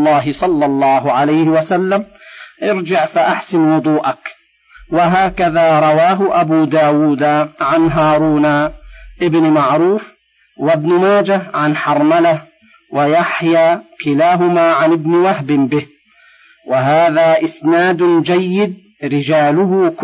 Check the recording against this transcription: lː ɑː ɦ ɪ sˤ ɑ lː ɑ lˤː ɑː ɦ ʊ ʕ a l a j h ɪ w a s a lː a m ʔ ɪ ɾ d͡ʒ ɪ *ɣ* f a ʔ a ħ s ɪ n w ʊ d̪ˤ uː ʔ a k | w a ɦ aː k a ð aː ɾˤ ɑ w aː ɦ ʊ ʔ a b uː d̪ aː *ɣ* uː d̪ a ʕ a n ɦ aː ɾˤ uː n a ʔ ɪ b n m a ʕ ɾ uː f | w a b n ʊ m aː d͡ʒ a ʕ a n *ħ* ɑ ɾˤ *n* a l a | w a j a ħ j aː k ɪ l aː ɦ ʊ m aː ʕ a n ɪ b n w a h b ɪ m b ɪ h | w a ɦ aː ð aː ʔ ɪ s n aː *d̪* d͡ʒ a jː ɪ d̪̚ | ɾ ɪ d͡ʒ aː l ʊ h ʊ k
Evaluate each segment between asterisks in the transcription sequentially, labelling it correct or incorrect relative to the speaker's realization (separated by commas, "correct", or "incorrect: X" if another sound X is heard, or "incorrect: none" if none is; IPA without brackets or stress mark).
incorrect: ʕ, incorrect: w, correct, incorrect: m, correct